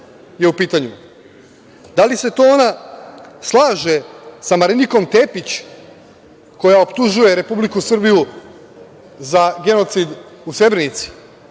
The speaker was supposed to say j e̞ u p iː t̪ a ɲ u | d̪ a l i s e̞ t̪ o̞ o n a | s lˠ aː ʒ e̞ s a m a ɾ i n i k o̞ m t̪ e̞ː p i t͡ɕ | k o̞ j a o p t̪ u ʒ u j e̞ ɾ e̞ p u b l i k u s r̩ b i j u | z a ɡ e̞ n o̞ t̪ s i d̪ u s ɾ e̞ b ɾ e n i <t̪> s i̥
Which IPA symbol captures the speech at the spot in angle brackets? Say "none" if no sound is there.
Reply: t̪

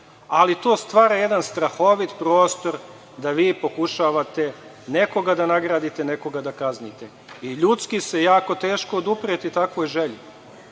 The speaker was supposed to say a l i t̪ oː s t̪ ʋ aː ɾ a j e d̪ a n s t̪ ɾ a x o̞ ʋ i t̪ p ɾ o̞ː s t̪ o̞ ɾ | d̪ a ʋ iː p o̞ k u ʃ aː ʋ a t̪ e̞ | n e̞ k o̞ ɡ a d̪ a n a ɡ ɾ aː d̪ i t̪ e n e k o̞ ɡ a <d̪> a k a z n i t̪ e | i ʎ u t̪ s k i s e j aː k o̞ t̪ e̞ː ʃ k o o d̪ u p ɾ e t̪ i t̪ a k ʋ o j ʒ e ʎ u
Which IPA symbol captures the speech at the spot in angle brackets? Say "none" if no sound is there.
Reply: d̪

